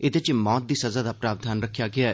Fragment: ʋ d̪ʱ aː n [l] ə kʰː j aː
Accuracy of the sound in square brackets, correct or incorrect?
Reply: incorrect